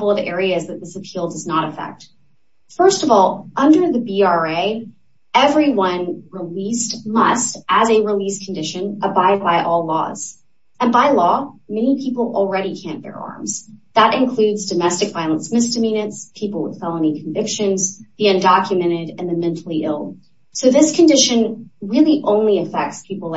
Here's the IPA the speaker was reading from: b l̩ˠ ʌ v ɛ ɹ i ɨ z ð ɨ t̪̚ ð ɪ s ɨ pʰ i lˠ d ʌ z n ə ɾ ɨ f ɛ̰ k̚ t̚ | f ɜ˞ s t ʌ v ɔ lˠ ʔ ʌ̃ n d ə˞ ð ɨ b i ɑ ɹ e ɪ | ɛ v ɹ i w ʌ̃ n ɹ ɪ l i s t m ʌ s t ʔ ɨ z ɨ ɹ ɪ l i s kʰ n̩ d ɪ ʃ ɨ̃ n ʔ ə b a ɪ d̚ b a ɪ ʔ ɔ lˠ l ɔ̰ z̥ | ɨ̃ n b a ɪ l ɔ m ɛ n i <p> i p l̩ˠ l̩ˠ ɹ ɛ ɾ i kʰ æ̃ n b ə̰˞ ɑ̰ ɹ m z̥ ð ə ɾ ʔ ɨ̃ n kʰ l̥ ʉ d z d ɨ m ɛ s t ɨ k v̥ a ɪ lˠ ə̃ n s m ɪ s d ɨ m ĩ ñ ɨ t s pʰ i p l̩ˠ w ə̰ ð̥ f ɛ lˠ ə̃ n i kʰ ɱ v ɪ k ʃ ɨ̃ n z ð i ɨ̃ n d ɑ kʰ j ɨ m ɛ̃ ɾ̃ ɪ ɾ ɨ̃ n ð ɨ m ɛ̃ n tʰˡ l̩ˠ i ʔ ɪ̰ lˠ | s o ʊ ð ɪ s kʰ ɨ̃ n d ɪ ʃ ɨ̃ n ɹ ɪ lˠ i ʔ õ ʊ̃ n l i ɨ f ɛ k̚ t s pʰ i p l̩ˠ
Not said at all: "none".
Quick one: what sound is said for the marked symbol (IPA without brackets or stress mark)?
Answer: pʰ